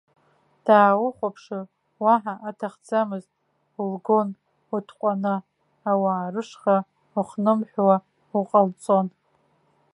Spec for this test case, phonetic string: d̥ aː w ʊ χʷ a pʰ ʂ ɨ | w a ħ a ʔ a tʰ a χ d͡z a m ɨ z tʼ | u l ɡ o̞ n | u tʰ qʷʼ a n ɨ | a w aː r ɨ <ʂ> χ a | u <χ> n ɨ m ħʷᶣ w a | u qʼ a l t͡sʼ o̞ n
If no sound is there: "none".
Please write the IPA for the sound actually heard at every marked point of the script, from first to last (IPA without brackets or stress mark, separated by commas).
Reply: ʂ, χ